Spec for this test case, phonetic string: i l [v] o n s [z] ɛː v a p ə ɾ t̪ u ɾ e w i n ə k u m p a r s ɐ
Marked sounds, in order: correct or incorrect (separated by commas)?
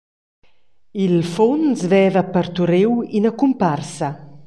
incorrect, incorrect